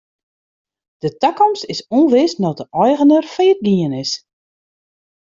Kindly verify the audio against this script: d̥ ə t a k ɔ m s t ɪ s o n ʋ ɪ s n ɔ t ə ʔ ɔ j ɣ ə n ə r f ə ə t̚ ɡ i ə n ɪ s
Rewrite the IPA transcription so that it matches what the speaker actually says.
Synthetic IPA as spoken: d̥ ə t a k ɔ m s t ɪ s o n ʋ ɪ s n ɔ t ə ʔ ɔ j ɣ ə n ə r f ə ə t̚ ɡ i ə n ɪ s